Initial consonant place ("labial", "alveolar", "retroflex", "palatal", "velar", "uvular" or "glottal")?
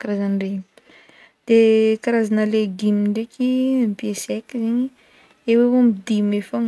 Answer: velar